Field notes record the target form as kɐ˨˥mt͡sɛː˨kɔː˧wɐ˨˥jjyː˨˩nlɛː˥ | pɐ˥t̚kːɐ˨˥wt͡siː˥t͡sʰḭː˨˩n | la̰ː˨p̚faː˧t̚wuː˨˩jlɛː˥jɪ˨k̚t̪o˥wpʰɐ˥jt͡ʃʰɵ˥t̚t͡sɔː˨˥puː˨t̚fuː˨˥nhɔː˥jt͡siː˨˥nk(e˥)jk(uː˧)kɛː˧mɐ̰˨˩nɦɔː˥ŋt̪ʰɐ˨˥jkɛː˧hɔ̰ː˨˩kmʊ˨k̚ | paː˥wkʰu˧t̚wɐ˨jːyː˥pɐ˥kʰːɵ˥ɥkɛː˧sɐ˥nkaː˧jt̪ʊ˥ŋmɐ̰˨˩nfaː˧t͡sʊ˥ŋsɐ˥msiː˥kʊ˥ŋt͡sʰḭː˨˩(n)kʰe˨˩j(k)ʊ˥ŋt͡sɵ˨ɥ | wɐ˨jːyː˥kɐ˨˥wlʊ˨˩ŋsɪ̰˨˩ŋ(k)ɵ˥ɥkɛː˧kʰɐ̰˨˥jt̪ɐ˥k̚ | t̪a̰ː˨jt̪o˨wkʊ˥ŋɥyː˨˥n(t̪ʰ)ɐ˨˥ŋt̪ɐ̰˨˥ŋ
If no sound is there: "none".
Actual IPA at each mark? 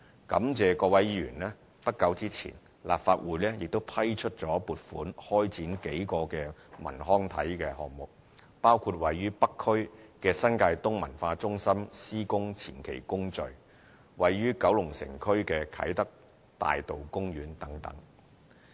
e˨˥, ɔː˧, n, k, kʰ, t̪

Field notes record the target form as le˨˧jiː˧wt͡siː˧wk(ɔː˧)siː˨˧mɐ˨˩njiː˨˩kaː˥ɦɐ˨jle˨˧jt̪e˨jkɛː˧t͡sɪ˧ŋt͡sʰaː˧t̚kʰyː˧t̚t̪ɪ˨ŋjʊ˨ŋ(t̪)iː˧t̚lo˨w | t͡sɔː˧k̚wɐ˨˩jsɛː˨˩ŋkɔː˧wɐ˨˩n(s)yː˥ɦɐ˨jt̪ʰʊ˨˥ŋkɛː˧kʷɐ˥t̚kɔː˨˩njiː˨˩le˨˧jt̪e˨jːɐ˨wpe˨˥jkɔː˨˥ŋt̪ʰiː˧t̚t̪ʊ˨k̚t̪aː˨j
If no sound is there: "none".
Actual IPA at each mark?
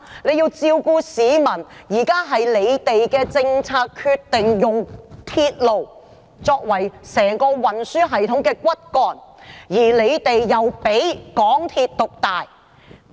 uː˧, t̪ʰ, s

